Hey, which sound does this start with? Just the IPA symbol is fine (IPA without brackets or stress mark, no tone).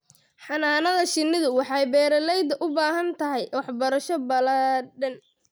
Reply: ħ